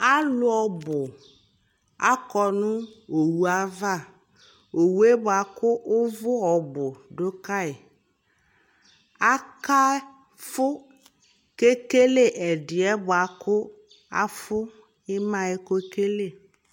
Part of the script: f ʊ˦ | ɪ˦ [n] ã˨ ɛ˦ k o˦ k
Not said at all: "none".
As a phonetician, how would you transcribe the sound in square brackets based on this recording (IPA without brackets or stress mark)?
m